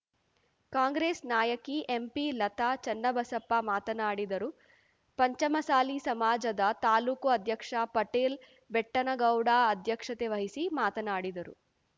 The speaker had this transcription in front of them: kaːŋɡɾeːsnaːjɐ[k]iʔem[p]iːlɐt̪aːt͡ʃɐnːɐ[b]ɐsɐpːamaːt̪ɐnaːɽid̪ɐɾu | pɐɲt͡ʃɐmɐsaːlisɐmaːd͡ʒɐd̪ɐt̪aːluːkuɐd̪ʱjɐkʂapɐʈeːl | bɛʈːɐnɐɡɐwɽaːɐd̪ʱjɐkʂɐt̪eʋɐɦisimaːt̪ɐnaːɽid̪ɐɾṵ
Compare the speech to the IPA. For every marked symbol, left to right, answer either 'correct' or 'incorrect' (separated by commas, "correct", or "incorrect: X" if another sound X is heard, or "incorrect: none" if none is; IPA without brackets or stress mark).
correct, correct, correct